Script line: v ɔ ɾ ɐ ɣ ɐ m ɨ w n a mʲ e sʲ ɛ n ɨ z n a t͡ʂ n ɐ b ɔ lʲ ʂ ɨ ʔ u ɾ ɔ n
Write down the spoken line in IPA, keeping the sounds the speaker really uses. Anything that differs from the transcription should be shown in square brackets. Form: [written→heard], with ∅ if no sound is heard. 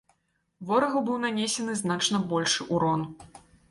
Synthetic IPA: v ɔ ɾ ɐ ɣ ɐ [m→b] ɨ w n a [mʲ→nʲ] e sʲ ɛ n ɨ z n a t͡ʂ n ɐ b ɔ lʲ ʂ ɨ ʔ u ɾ ɔ n